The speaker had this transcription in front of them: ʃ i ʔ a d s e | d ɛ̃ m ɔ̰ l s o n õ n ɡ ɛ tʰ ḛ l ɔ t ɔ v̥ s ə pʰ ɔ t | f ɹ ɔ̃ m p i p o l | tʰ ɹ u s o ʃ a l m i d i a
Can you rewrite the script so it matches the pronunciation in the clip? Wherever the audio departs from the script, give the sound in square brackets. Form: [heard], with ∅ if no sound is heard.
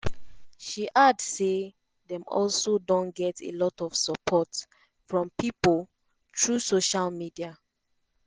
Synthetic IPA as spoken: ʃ i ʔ a d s e | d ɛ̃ m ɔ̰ l s o [d] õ n ɡ ɛ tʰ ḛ l ɔ t ɔ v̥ s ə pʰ ɔ t | f ɹ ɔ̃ m p i p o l | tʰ ɹ u s o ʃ a l m i d i a

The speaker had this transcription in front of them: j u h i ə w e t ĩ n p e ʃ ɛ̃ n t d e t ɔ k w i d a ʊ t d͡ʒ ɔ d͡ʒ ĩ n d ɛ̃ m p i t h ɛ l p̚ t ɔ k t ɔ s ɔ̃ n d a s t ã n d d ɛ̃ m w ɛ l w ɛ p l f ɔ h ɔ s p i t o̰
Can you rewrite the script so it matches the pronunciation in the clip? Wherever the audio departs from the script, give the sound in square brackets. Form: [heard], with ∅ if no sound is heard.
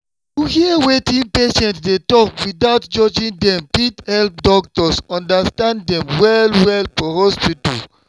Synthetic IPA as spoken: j u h i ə w e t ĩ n p e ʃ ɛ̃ n t d e t ɔ k w i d a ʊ t d͡ʒ ɔ d͡ʒ ĩ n d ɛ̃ m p i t h ɛ l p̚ [d] ɔ k t ɔ s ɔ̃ n d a s t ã n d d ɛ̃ m w ɛ l w ɛ [∅] l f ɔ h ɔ s p i t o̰

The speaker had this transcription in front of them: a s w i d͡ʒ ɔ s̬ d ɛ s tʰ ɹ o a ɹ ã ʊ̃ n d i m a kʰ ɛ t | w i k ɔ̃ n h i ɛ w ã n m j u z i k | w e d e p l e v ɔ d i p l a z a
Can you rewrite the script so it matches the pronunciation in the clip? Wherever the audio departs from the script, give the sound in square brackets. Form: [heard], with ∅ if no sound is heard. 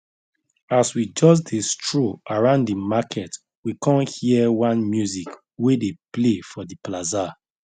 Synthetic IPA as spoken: a s w i d͡ʒ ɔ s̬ d [e] s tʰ ɹ o a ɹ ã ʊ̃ n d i m a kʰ ɛ t | w i k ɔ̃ n h i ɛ w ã n m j u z i k | w e d e p l e [f] ɔ d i p l a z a

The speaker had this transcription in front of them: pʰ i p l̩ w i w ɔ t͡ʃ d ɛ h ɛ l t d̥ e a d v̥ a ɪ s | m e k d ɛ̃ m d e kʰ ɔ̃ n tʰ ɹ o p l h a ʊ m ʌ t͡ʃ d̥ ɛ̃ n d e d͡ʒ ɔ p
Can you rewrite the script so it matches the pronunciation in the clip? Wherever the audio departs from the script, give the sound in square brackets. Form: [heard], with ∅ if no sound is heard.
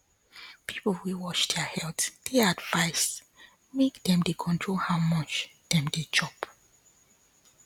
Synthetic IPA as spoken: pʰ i p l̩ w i w ɔ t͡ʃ d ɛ h ɛ l t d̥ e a d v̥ a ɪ s | m e k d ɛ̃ m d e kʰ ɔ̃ n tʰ ɹ o [∅] l h a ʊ m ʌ t͡ʃ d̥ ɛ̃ [m] d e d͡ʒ ɔ p

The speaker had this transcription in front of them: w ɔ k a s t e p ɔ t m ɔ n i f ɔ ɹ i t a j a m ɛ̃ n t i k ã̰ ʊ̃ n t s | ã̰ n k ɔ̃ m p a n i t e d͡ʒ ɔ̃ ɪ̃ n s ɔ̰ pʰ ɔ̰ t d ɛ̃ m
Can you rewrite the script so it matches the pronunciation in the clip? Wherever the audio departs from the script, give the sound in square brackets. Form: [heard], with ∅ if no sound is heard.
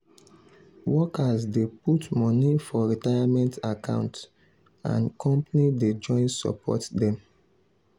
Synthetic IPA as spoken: w ɔ k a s [d] e p [u] t m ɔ n i f ɔ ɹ i t a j a m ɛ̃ n t [a] k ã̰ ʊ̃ n t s | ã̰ n k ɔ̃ m p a n i [d] e d͡ʒ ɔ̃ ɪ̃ n s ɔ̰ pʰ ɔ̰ t d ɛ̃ m

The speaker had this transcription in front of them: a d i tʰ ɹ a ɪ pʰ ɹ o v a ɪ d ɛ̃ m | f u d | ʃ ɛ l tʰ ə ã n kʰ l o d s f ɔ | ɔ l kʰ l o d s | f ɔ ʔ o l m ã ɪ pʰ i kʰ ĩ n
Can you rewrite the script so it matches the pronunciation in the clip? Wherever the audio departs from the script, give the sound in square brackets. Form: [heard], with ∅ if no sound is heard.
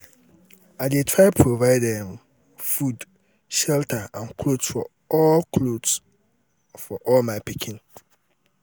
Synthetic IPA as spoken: a d [e] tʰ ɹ a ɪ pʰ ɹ o v a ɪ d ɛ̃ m | f u d | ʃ ɛ l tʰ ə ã n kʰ l o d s f ɔ | ɔ l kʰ l o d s | f ɔ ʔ [ɔ] l m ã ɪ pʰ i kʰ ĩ n

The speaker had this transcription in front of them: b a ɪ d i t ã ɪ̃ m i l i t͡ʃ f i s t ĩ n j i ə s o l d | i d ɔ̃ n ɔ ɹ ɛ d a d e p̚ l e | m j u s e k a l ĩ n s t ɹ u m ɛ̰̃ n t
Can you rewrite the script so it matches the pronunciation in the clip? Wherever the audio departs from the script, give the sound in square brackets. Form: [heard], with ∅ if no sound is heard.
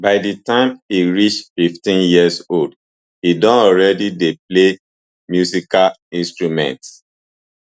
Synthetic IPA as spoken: b a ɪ d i t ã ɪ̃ m i [ɹ] i t͡ʃ f i [f] t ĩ n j i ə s o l d | i d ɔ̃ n ɔ ɹ ɛ d [i] d e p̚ l e | m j u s [i] k a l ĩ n s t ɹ u m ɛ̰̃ n t

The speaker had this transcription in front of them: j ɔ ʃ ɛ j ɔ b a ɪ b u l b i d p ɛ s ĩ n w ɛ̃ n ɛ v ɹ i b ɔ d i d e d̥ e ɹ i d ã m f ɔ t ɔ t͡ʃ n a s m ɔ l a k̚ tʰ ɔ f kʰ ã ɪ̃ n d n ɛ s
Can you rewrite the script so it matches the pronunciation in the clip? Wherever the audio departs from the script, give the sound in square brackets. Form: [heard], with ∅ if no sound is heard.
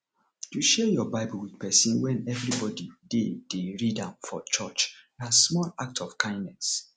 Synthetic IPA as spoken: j [u] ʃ ɛ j ɔ b a ɪ b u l [w] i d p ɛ s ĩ n w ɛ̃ n ɛ v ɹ i b ɔ d i d e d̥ e ɹ i d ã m f ɔ [t͡ʃ] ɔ t͡ʃ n a s m ɔ l a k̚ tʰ ɔ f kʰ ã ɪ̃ n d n ɛ s

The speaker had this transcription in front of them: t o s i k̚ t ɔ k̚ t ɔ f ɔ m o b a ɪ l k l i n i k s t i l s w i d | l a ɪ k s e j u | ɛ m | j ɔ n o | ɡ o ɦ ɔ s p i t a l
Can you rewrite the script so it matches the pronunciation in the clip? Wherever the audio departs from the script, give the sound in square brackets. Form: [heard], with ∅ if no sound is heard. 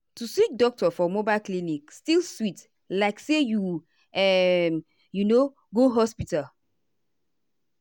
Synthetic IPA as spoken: t [u] s i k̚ [d] ɔ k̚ t ɔ f ɔ m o b a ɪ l k l i n i k s t i l s w i [t] | l a ɪ k s e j u | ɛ m | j [u] n o | ɡ o ɦ ɔ s p i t a l

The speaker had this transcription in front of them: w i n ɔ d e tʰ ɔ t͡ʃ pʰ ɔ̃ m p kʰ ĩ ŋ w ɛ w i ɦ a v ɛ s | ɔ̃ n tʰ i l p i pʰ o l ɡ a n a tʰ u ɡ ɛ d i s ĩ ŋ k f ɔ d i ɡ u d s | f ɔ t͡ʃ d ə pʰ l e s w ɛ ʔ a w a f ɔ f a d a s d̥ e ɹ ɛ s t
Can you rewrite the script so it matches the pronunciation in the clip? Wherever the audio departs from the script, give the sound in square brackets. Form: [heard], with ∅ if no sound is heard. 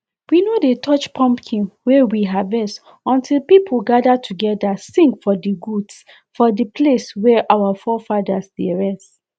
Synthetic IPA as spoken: w i n [o] d e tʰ ɔ t͡ʃ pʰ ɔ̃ m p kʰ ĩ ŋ w ɛ w i ɦ a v ɛ s | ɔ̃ n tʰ i l p i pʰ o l ɡ a [d] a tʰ u ɡ ɛ d [a] s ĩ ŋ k f ɔ d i ɡ u d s | f ɔ [∅] d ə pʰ l e s w ɛ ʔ a w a f ɔ f a d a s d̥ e ɹ ɛ s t

